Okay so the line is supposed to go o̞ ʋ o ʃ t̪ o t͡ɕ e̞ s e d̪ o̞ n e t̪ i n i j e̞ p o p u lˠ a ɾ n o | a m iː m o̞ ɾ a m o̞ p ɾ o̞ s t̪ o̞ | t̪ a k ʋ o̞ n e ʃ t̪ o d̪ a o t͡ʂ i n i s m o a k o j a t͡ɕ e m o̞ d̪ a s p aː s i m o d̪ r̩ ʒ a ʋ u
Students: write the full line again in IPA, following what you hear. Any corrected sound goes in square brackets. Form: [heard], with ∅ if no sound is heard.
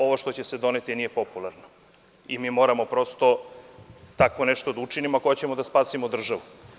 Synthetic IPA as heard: o̞ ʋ o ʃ t̪ o t͡ɕ e̞ s e d̪ o̞ n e t̪ i n i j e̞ p o p u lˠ a ɾ n o | [i] m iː m o̞ ɾ a m o̞ p ɾ o̞ s t̪ o̞ | t̪ a k ʋ o̞ n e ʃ t̪ o d̪ a [u] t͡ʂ i n i [∅] m o a k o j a t͡ɕ e m o̞ d̪ a s p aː s i m o d̪ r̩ ʒ a ʋ u